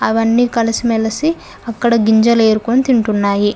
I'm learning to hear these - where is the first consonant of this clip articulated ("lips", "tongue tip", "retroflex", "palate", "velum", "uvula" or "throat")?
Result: lips